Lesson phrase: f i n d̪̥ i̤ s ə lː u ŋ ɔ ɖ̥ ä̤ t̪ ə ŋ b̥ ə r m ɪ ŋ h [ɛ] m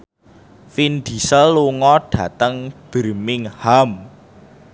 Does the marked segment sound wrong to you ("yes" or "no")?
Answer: yes